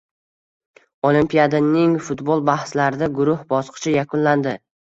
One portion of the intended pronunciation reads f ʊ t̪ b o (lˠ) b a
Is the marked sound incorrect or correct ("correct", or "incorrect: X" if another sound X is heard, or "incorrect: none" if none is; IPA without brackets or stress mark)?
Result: correct